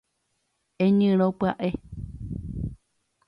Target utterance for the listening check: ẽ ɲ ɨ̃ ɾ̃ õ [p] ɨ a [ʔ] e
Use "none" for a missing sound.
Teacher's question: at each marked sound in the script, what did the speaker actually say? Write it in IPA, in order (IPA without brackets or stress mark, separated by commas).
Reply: p, ʔ